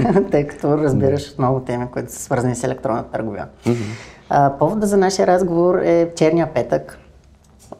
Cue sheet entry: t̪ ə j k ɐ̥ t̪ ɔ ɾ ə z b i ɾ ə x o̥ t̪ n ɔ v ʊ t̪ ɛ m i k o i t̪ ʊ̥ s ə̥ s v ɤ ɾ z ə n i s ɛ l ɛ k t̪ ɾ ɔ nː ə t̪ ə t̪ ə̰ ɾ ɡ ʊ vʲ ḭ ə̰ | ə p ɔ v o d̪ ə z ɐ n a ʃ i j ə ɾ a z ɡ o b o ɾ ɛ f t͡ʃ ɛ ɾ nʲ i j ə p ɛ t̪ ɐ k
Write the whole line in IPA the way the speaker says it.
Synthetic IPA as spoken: t̪ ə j k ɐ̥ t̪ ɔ ɾ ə z b i ɾ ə ʃ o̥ t̪ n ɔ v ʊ t̪ ɛ m i k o i t̪ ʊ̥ s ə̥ s v ɤ ɾ z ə n i s ɛ l ɛ k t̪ ɾ ɔ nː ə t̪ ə t̪ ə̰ ɾ ɡ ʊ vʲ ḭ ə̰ | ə p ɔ v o d̪ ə z ɐ n a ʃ i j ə ɾ a z ɡ o v o ɾ ɛ f t͡ʃ ɛ ɾ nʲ i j ə p ɛ t̪ ə k